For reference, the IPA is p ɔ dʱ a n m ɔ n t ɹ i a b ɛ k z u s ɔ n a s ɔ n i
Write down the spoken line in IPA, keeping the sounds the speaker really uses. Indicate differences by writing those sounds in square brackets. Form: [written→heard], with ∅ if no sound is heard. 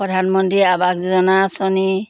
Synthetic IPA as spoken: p ɔ dʱ a n m ɔ n t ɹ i a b [ɛ→a] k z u [s→z] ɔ n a s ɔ n i